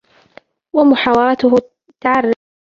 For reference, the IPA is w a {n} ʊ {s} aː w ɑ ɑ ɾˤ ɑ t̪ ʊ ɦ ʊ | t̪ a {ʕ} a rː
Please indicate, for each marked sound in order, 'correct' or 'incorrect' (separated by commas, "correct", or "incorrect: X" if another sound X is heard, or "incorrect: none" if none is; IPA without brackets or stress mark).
incorrect: m, incorrect: ħ, correct